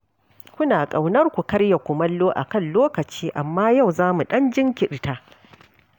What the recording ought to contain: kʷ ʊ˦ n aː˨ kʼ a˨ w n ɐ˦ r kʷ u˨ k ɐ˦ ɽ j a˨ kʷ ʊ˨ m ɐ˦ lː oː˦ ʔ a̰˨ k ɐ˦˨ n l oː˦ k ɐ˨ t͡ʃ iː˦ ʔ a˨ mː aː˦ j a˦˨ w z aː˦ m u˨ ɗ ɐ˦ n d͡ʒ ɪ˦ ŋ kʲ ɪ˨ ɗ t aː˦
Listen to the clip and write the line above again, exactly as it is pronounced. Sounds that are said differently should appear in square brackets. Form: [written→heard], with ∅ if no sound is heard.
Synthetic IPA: kʷ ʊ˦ n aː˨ kʼ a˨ w n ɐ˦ r kʷ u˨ k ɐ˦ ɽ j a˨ kʷ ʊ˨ m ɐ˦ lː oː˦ ʔ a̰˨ k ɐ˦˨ n l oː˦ k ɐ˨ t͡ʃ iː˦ ʔ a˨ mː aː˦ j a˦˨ w z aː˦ m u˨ ɗ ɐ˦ n d͡ʒ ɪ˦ ŋ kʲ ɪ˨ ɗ t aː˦

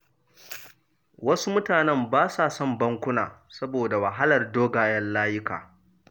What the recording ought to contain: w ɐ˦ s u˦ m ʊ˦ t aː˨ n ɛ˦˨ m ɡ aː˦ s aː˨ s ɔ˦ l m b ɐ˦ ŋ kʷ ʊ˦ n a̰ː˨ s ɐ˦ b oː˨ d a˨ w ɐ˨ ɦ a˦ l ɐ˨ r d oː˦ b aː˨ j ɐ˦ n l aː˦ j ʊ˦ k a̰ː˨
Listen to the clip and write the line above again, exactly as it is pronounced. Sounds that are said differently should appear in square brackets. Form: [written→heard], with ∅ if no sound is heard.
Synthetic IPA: w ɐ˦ s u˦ m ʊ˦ t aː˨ n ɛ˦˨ m [ɡ→b] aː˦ s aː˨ s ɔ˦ [l→∅] m b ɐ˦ ŋ kʷ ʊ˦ n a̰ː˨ s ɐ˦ b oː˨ d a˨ w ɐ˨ ɦ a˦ l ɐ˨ r d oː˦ [b→ɡ] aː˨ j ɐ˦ n l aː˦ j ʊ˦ k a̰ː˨

